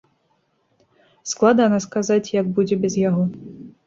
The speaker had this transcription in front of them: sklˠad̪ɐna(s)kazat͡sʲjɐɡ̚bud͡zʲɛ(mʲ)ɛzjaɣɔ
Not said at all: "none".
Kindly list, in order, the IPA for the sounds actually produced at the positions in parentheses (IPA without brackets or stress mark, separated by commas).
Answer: s, bʲ